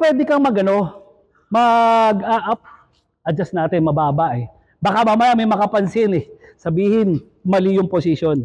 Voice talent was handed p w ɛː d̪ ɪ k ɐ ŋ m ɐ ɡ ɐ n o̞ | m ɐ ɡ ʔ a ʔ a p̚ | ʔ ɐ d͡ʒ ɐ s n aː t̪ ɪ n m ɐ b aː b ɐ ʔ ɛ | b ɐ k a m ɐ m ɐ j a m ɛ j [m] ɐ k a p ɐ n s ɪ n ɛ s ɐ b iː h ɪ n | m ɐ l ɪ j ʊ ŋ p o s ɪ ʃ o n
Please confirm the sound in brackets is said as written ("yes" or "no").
yes